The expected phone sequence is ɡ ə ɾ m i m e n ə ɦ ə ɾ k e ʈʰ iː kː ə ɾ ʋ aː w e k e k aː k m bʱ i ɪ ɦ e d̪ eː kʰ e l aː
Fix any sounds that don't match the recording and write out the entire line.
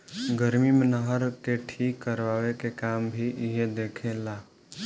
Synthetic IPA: ɡ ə ɾ m i m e n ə ɦ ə ɾ k e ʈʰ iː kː ə ɾ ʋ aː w e k e k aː m bʱ i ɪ ɦ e d̪ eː kʰ e l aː